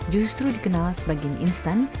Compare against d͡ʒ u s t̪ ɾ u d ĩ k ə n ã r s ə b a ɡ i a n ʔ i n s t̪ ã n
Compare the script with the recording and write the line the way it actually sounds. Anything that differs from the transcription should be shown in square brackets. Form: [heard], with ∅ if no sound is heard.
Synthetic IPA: d͡ʒ u s t̪ ɾ u d [i] k ə n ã [l] s ə b a ɡ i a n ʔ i n s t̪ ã n